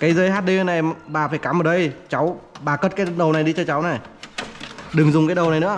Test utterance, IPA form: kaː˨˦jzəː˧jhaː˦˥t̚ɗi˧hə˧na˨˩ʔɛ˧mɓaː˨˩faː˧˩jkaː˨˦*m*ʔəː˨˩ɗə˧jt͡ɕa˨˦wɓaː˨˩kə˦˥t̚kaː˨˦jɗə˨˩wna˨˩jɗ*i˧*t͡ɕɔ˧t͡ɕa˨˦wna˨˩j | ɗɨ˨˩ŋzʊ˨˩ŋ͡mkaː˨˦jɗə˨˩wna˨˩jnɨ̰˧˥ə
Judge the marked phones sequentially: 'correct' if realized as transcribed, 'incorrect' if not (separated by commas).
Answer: correct, correct